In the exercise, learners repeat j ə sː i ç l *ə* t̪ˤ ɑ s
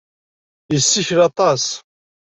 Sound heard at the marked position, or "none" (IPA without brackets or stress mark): ɑ